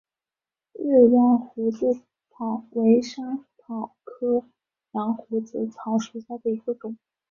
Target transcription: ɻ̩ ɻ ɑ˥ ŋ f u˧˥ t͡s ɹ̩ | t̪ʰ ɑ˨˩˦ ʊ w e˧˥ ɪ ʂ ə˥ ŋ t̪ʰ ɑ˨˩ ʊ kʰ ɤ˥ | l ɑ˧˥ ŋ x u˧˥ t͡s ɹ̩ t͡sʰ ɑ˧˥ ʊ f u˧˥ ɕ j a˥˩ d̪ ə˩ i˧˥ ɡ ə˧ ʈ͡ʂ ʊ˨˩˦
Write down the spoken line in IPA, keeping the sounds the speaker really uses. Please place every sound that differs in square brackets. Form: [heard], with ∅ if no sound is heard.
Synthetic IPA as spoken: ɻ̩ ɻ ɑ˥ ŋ [x] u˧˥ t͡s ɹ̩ | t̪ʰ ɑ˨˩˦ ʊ w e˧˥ ɪ ʂ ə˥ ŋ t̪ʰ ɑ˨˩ ʊ kʰ ɤ˥ | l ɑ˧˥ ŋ x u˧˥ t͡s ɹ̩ t͡sʰ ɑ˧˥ ʊ [ʂ] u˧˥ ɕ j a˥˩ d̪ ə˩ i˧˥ ɡ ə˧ ʈ͡ʂ ʊ˨˩˦